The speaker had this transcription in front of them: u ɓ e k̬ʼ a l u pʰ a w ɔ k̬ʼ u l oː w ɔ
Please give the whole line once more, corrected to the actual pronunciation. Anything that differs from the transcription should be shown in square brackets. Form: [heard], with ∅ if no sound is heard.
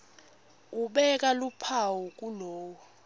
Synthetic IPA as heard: u ɓ [ɛ] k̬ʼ a l u pʰ a w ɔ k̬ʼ u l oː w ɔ